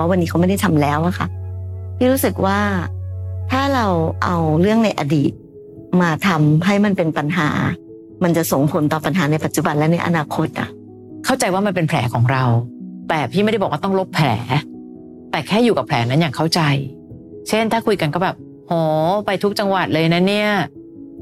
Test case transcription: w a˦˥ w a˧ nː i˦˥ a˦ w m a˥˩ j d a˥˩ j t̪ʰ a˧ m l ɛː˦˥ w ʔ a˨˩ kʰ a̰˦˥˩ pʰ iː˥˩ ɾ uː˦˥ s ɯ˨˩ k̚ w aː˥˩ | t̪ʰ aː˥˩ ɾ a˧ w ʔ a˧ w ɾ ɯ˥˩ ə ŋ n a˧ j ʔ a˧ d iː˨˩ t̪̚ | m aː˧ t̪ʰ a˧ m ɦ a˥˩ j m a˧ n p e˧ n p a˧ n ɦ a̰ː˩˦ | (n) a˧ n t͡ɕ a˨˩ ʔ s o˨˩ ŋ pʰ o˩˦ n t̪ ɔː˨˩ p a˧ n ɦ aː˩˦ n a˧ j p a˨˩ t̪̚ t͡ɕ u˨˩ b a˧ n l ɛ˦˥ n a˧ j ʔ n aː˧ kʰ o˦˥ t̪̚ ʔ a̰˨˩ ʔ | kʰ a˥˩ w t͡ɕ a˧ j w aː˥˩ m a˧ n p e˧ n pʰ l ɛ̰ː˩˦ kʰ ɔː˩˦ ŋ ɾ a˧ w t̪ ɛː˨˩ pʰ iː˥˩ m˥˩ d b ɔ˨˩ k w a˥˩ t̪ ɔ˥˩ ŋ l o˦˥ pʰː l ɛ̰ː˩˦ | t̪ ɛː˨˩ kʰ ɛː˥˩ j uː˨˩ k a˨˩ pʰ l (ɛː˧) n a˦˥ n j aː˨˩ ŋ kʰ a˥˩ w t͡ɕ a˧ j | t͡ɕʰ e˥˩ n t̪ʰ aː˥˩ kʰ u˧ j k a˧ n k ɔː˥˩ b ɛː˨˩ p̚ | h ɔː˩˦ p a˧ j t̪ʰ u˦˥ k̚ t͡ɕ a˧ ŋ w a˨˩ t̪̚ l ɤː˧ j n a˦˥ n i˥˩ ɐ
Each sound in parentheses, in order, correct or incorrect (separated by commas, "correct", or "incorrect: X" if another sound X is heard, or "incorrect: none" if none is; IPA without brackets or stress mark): incorrect: m, incorrect: ɛː˩˦